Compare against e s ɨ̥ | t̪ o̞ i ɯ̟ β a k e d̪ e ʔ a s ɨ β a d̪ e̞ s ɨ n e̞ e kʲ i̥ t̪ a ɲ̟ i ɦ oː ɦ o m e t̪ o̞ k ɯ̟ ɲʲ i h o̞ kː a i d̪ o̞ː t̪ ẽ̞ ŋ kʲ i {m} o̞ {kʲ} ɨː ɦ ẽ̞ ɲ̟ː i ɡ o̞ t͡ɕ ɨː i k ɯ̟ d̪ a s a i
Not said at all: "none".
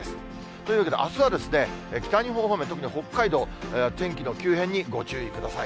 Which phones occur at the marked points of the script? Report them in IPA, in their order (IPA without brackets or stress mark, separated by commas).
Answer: n, kʲ